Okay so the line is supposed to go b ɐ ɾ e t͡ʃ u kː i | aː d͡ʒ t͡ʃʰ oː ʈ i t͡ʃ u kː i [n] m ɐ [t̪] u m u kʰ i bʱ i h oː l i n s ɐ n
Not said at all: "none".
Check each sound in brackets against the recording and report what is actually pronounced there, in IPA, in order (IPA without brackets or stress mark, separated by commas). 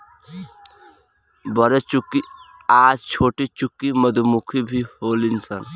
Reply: none, d̪